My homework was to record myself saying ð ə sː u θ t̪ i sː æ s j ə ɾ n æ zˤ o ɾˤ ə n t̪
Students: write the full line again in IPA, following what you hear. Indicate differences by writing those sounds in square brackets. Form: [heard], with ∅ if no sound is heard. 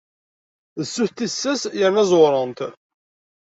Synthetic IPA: ð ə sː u θ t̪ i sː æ s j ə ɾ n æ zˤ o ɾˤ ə n t̪